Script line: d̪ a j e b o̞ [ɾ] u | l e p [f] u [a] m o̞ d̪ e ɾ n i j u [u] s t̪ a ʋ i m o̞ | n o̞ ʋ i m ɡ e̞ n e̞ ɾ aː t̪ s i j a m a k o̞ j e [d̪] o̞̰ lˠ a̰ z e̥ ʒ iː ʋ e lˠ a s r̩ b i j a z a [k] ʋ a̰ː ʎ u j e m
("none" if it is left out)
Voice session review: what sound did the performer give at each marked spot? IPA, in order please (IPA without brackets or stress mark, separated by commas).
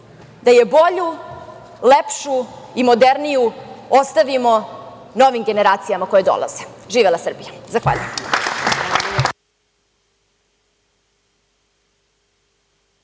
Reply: ʎ, ʃ, i, o, d̪, x